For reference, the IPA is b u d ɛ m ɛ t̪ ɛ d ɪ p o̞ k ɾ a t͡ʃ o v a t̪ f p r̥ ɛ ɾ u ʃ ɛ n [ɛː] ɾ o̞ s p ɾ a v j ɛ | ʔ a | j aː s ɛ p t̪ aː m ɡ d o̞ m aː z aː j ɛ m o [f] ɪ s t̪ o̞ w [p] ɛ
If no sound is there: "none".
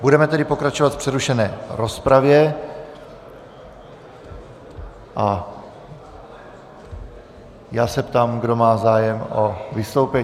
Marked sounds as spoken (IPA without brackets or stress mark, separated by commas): ɛː, v, p